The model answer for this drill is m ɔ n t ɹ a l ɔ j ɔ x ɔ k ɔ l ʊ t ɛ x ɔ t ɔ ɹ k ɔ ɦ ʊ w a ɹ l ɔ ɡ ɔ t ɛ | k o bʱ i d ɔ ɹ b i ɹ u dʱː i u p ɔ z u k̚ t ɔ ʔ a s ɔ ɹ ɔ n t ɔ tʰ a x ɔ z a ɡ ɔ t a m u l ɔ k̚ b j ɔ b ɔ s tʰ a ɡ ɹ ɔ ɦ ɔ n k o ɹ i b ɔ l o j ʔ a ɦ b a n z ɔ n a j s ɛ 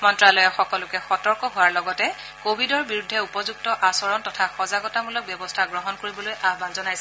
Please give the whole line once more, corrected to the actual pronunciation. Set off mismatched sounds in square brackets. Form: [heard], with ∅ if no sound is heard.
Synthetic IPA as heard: m ɔ n t ɹ a l ɔ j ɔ x ɔ k ɔ l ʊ [k] ɛ x ɔ t ɔ ɹ k ɔ ɦ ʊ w a ɹ l ɔ ɡ ɔ t ɛ | k o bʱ i d ɔ ɹ b i ɹ u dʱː [ɛ] u p ɔ z u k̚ t ɔ ʔ a s ɔ ɹ ɔ n t ɔ tʰ a x ɔ z a ɡ ɔ t a m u l ɔ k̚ b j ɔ b ɔ s tʰ a ɡ ɹ ɔ ɦ ɔ n k o ɹ i b ɔ l o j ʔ a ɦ b a n z ɔ n a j s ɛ